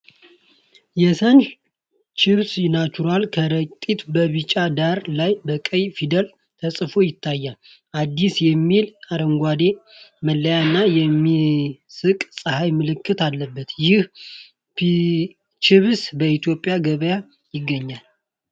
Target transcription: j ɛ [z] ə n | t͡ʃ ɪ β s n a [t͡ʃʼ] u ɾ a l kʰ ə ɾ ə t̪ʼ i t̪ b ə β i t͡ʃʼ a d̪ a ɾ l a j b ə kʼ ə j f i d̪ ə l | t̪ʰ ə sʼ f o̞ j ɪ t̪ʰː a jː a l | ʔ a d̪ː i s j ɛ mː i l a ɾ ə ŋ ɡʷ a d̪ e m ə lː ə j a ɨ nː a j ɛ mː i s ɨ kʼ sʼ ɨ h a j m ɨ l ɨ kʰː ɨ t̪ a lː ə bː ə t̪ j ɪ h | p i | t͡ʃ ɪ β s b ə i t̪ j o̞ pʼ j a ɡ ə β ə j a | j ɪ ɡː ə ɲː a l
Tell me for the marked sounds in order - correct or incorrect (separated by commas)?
incorrect, incorrect